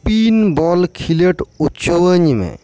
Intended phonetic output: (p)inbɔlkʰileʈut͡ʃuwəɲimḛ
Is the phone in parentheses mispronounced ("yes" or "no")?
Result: no